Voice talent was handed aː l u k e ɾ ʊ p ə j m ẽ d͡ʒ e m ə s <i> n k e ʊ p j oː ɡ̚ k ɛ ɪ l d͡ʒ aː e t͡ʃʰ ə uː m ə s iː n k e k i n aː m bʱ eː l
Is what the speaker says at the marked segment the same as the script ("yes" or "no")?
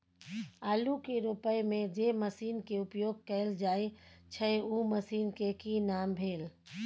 no